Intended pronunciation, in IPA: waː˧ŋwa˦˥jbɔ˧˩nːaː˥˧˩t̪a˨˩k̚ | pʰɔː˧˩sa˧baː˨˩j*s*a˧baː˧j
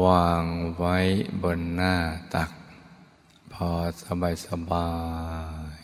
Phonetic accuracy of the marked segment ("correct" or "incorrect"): correct